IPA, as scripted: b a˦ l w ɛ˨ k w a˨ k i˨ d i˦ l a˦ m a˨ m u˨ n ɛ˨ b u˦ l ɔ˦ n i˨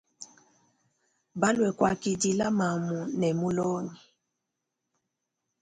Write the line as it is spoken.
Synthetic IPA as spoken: b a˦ l w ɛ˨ k w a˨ k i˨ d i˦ l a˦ m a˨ m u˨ n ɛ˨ m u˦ l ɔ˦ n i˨